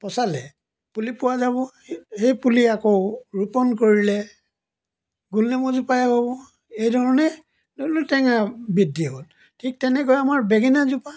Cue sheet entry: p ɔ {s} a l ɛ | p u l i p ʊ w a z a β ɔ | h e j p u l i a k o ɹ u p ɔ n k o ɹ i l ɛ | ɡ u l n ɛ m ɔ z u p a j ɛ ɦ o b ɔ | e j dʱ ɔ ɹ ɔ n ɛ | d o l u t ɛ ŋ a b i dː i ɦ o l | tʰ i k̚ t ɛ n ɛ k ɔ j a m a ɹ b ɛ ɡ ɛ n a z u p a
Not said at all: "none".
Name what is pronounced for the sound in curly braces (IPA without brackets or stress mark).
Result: s